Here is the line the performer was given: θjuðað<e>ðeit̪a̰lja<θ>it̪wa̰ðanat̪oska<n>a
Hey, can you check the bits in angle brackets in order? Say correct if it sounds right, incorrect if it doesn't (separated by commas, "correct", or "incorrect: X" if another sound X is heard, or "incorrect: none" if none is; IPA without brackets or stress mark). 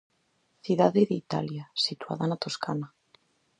correct, incorrect: s, correct